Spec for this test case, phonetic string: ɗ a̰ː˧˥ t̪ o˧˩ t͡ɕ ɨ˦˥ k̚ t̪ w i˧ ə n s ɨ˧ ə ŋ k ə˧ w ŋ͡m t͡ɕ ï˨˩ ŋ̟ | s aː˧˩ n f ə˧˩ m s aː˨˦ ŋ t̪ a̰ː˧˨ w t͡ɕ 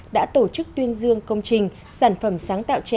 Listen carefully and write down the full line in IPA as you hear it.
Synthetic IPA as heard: ɗ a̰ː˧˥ t̪ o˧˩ t͡ɕ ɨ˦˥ k̚ t̪ w i˧ ə n z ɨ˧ ə ŋ k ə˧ w ŋ͡m t͡ɕ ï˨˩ ŋ̟ | s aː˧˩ n f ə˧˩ m s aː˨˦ ŋ t̪ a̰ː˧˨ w t͡ɕ